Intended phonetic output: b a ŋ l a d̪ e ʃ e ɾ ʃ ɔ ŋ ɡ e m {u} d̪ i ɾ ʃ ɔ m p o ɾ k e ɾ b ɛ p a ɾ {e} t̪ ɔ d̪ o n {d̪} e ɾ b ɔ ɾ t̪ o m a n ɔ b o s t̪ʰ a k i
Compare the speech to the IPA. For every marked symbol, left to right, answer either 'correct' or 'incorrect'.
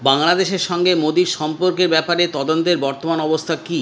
incorrect: o, correct, incorrect: t̪

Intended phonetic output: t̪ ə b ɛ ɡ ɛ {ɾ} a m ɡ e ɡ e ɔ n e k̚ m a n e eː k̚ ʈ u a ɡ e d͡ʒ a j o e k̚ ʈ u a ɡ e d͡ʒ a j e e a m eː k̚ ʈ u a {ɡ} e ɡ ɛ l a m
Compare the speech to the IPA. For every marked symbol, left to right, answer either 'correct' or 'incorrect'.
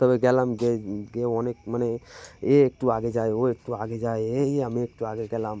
incorrect: l, correct

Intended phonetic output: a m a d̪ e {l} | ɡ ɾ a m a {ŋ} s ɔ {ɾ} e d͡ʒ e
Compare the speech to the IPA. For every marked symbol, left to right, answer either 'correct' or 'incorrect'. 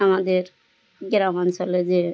incorrect: ɾ, incorrect: n, incorrect: l

